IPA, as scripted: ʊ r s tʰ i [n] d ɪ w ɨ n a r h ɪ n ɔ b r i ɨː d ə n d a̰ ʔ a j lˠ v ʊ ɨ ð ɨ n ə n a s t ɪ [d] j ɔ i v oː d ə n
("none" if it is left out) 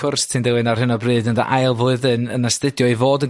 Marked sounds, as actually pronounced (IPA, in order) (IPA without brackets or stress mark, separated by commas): n, d